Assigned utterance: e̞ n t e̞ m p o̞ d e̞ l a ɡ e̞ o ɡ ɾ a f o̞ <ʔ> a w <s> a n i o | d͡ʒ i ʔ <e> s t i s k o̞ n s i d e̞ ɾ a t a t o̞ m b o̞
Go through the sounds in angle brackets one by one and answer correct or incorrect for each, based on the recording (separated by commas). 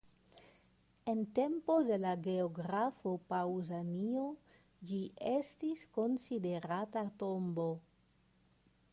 incorrect, incorrect, correct